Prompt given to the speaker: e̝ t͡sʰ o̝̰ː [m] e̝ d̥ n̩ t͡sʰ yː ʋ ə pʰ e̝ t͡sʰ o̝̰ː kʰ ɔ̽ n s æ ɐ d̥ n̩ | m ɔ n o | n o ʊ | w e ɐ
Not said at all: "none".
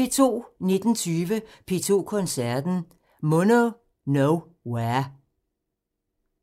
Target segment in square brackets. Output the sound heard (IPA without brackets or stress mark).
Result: n